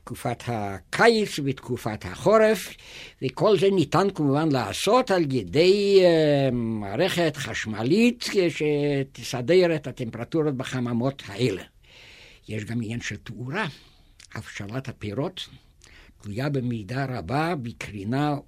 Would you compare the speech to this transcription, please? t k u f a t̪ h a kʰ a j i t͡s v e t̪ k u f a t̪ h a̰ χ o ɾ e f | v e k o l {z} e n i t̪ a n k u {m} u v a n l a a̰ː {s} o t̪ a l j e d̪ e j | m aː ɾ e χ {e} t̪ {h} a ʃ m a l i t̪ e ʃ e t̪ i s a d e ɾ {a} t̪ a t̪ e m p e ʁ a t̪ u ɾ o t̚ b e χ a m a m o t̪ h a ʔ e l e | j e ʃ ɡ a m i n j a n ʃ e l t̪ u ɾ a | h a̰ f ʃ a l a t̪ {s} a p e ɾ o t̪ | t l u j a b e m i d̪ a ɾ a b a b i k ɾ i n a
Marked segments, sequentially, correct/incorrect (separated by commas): correct, correct, correct, correct, incorrect, incorrect, incorrect